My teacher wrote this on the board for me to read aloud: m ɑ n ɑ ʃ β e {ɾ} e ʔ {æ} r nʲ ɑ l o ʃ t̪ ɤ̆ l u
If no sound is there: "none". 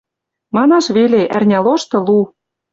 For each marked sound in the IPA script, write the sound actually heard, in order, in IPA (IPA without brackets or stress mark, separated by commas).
l, æ